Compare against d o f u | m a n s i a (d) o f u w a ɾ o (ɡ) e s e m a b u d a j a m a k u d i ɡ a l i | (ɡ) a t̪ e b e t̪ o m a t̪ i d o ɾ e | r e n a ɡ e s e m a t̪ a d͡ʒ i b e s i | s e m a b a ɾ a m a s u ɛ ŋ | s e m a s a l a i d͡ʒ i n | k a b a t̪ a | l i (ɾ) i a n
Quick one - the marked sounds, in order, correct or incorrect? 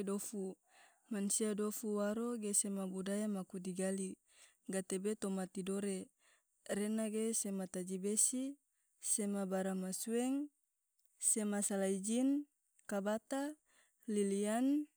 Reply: correct, correct, correct, incorrect: l

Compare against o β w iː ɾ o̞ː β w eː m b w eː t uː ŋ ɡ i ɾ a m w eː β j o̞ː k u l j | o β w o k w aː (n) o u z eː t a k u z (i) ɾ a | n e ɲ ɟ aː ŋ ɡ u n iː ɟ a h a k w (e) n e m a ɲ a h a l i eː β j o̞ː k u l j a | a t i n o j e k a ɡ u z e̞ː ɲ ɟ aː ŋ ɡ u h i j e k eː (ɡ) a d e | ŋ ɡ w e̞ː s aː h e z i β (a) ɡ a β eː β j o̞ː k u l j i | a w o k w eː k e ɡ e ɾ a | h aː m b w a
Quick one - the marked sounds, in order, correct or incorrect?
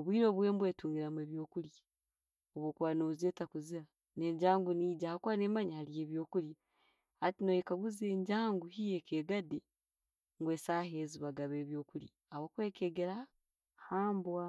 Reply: correct, correct, incorrect: a, correct, correct

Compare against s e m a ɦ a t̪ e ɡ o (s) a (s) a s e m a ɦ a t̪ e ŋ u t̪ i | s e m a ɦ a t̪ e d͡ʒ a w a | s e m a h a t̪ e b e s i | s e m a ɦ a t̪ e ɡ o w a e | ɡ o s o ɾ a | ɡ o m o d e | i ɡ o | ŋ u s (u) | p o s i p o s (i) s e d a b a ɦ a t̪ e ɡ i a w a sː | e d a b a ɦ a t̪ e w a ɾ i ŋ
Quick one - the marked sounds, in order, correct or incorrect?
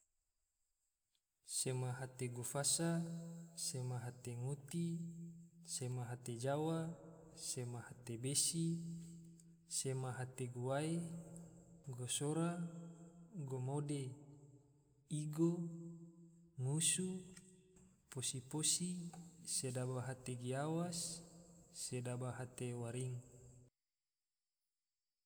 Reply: incorrect: f, correct, correct, correct

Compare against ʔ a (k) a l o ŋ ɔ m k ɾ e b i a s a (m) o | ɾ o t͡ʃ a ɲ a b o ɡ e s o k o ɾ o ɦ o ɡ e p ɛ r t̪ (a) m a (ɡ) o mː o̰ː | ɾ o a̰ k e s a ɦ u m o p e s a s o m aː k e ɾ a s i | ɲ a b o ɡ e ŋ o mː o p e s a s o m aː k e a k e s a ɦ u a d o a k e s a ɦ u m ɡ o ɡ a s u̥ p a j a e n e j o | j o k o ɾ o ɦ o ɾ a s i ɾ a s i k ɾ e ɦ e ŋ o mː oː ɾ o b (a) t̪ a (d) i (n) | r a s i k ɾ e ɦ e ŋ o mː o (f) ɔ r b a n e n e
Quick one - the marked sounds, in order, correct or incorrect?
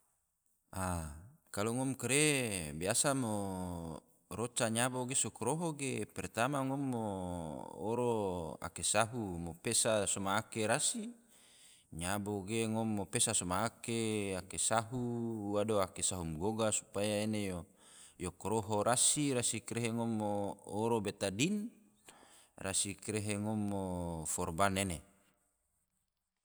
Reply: correct, correct, correct, incorrect: ŋ, incorrect: e, correct, correct, correct

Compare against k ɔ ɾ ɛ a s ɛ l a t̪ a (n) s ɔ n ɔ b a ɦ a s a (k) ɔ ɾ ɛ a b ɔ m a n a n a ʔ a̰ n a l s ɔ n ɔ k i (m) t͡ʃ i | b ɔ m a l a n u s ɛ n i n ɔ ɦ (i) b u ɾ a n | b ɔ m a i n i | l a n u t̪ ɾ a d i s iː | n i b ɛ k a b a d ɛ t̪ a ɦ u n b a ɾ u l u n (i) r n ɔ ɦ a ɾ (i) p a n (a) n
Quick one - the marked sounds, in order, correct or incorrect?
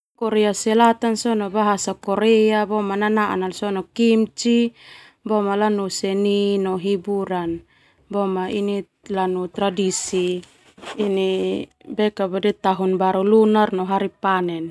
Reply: correct, correct, correct, correct, incorrect: a, correct, incorrect: ɛ

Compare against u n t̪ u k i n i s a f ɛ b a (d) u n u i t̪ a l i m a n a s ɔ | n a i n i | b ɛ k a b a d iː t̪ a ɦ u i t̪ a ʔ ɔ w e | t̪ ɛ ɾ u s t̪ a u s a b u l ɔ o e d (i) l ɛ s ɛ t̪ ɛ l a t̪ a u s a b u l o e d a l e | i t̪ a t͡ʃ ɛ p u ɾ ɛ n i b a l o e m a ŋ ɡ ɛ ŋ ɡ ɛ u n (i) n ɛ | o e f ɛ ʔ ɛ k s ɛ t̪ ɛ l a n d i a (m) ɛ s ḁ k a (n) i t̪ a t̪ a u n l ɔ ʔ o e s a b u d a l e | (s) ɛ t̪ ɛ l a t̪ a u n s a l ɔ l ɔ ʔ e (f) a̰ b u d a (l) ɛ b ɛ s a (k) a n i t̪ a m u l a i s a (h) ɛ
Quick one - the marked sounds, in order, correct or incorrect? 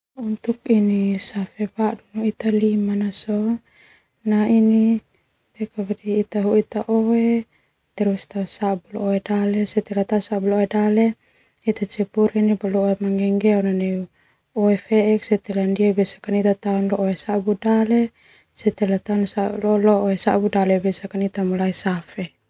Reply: correct, incorrect: a, incorrect: a, incorrect: b, correct, correct, incorrect: s, correct, correct, incorrect: f

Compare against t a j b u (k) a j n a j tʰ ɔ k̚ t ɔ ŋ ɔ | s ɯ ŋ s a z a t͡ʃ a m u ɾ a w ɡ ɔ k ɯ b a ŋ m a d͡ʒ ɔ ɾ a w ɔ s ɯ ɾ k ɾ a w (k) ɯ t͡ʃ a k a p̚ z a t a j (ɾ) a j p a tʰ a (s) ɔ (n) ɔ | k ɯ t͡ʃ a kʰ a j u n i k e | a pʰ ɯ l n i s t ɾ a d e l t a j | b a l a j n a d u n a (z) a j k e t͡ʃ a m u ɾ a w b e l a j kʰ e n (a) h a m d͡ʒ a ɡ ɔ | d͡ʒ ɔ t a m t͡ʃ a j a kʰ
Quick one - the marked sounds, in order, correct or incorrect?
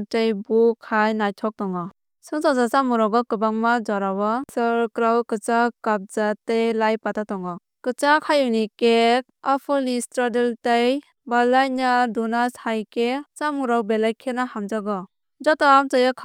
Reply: incorrect: kʰ, correct, incorrect: l, incorrect: t, incorrect: ŋ, incorrect: s, correct

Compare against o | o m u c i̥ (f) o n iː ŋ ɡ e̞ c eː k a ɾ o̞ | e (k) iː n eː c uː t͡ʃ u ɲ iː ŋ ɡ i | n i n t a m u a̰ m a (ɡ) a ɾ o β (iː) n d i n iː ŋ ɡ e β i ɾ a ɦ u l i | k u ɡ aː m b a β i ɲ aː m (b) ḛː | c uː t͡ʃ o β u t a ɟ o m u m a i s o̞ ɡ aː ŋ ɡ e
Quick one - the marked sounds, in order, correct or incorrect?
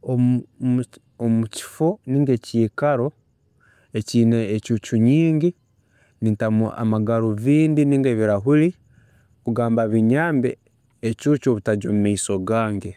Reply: correct, incorrect: c, correct, correct, correct

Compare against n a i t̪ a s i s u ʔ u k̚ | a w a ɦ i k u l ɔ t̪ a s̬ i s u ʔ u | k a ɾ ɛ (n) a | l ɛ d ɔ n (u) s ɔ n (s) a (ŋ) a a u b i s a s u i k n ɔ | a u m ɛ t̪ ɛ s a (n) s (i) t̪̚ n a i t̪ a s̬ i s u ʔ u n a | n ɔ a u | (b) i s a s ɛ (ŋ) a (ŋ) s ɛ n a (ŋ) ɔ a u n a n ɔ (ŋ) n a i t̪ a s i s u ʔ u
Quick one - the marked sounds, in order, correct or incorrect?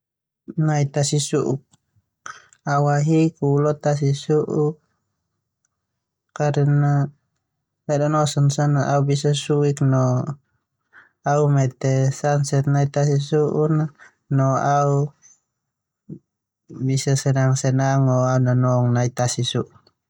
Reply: correct, incorrect: ɔ, correct, incorrect: n, correct, incorrect: ɛ, correct, incorrect: n, correct, correct, correct

